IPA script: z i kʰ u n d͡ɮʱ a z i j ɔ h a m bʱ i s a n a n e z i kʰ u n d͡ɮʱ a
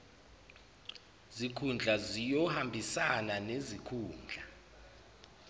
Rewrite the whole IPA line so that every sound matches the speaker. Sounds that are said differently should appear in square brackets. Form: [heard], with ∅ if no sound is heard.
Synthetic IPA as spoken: z i kʰ u n d͡ɮʱ a z i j ɔ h a m bʱ i s a n a n e z i kʰ [uː] n d͡ɮʱ a